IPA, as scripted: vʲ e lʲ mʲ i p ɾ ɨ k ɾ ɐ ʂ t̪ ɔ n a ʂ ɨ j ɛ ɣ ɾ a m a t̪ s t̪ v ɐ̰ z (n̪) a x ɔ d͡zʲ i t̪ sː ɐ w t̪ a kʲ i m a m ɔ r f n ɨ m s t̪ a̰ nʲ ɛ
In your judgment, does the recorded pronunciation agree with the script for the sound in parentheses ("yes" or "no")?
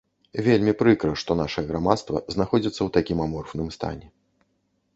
yes